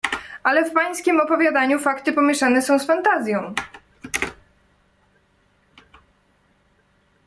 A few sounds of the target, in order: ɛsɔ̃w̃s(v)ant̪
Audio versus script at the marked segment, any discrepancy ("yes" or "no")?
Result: yes